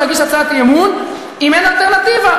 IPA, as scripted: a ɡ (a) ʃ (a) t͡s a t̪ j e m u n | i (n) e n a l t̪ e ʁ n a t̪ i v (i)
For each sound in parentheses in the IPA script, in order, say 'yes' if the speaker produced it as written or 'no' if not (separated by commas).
no, yes, no, no